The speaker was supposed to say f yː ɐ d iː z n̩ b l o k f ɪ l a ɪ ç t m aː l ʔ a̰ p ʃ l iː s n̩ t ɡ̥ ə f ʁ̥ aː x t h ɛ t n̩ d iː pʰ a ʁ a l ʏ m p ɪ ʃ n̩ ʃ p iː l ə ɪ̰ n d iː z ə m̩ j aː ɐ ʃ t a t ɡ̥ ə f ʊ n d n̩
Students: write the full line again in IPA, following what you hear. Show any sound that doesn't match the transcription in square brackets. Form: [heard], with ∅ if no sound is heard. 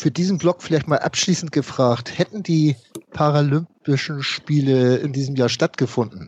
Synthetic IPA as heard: f yː ɐ d iː z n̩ b l [ɔ] k f ɪ l a ɪ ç t m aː l ʔ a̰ p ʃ l iː s n̩ t ɡ̥ ə f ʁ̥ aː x t h ɛ t n̩ d iː pʰ a ʁ a l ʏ m p ɪ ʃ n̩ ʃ p iː l ə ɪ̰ n d iː z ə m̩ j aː ɐ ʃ t a t ɡ̥ ə f ʊ n d n̩